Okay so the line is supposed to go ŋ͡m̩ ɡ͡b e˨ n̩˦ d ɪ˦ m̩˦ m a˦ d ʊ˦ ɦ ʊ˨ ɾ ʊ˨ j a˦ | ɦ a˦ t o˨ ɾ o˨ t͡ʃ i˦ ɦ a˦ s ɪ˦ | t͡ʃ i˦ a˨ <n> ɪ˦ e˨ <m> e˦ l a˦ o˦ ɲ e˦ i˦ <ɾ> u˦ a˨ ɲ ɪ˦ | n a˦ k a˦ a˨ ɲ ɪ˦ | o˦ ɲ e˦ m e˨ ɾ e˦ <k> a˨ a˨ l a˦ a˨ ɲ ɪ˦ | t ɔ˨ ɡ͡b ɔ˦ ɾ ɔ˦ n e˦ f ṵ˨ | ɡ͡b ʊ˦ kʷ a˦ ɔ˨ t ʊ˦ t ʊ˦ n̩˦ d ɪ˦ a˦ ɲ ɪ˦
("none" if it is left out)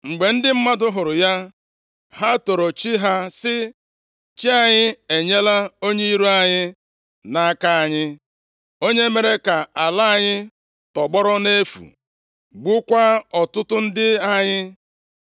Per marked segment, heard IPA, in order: ɲ, ɲ, ɾ, k

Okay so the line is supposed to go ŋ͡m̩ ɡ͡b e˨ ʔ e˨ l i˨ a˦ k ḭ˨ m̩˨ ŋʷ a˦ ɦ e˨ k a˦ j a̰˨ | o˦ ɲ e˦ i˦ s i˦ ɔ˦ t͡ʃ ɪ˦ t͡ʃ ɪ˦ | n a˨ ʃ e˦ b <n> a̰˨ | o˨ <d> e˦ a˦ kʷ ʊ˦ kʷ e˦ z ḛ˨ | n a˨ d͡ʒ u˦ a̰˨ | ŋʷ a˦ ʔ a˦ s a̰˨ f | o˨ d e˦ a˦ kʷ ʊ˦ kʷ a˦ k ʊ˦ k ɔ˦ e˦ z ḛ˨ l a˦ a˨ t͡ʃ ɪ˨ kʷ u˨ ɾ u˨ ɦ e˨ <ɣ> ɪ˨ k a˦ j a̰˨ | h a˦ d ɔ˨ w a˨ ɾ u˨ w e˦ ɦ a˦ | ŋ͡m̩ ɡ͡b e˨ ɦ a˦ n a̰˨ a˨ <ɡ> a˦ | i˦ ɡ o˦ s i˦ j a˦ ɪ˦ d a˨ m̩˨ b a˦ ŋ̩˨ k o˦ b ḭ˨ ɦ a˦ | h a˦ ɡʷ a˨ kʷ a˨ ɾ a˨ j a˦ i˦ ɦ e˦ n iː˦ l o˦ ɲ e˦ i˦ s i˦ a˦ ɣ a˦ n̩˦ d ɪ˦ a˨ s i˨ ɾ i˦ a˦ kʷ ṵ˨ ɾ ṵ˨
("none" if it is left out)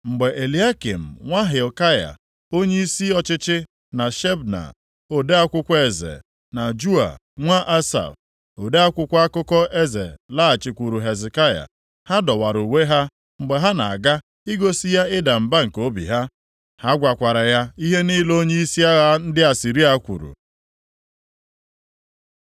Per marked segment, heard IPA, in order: n, d, z, ɡ

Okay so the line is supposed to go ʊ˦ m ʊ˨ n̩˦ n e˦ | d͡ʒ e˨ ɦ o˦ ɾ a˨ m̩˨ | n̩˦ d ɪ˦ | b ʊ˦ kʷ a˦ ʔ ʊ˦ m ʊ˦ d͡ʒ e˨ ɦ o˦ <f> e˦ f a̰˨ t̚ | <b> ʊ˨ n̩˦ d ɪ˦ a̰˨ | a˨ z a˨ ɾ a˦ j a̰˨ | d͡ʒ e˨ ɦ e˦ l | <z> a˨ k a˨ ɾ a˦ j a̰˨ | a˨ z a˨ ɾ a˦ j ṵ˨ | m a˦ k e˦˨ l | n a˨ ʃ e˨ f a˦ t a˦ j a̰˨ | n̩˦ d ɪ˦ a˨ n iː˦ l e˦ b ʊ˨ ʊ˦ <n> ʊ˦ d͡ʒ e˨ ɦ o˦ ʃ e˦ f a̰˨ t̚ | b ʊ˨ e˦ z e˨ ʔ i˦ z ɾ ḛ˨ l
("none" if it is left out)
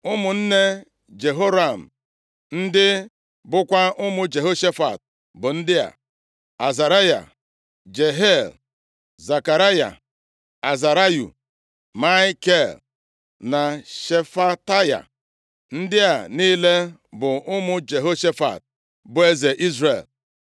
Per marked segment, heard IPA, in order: ʃ, b, z, m

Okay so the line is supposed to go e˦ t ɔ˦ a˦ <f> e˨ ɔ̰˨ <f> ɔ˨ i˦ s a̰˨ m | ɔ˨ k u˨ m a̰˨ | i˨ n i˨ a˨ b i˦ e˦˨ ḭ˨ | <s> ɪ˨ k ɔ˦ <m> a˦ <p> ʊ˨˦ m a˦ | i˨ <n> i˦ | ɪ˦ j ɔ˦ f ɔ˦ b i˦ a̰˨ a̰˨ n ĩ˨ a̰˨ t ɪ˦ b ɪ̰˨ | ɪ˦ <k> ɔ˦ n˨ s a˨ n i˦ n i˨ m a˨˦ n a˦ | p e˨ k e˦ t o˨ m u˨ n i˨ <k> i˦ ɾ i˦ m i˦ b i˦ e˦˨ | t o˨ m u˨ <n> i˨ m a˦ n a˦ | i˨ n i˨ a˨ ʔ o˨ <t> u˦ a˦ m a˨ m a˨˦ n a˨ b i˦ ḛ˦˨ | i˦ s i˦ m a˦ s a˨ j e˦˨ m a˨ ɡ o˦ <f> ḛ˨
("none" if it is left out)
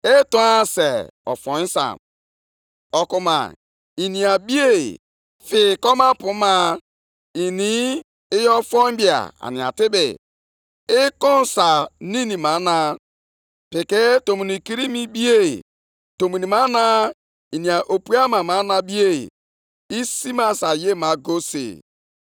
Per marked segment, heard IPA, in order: s, f, f, m, p, n, k, k, n, p, s

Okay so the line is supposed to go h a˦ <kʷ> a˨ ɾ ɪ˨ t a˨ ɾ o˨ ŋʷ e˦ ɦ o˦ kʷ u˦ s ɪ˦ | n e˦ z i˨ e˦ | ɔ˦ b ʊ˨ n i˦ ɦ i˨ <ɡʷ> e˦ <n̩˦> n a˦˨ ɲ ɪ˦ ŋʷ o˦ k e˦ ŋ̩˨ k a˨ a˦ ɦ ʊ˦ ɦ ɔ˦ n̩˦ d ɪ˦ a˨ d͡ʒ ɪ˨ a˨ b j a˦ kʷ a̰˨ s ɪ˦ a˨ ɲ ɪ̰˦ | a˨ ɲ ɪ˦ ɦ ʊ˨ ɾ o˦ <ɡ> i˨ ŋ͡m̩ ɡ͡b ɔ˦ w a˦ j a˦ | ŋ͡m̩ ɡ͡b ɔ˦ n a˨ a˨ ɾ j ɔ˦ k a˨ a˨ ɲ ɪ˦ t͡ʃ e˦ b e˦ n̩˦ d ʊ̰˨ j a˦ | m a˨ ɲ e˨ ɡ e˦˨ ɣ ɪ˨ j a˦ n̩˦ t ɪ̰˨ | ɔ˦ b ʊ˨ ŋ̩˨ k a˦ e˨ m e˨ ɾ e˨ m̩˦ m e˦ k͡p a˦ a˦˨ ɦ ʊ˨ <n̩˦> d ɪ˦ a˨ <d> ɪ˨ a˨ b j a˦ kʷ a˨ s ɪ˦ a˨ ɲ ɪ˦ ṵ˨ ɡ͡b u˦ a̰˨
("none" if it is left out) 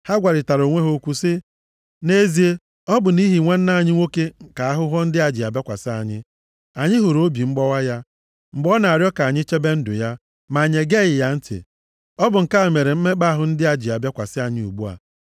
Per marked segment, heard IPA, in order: ɡʷ, ŋʷ, n̩˦, b, n̩˦, d͡ʒ

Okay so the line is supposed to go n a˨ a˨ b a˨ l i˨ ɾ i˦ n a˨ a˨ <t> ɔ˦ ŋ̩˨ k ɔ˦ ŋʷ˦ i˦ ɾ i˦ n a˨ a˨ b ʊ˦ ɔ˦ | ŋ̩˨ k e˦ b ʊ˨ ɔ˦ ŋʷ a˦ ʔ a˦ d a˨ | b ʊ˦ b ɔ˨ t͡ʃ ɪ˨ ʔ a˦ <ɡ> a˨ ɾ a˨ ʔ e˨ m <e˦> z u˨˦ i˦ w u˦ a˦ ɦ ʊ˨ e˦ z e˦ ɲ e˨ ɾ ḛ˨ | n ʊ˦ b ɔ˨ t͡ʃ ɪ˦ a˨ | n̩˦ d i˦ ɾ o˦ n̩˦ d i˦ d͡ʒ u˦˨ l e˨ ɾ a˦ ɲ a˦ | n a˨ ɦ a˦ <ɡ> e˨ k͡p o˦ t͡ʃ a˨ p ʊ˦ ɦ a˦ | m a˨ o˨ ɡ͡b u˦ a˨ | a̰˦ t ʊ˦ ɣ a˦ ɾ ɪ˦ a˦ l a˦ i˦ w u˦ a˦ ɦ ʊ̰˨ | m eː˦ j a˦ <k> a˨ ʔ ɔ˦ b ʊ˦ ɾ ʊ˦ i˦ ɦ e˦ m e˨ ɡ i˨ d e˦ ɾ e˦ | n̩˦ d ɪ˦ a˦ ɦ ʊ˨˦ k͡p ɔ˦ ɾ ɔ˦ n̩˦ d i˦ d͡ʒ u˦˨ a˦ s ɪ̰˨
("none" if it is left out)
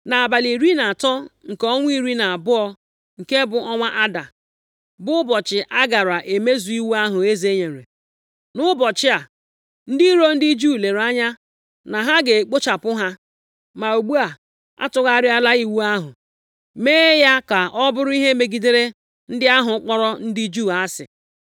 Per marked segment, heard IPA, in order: t, ɡ, e˦, ɡ, k

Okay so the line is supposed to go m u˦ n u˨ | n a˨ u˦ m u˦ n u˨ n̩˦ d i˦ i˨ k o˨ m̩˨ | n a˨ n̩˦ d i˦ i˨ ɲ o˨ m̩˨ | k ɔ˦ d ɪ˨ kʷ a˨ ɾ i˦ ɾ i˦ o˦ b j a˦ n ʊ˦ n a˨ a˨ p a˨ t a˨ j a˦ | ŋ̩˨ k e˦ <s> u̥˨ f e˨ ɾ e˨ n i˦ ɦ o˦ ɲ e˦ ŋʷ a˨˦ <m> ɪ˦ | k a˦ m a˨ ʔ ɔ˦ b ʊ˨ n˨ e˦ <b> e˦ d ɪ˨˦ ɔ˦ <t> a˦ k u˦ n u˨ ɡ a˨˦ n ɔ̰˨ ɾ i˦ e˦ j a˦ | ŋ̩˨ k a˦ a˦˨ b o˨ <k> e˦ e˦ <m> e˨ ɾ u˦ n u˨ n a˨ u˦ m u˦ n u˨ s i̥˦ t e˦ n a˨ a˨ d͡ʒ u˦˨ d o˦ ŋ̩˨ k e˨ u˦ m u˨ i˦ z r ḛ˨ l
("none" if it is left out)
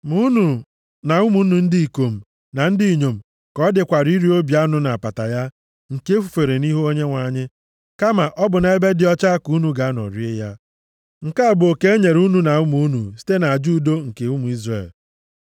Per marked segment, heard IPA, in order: f, ɲ, b, t͡ʃ, k, ɲ

